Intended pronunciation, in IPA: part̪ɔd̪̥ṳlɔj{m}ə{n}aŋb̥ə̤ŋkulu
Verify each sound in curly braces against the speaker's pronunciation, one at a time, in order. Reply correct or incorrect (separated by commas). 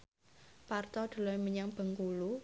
correct, incorrect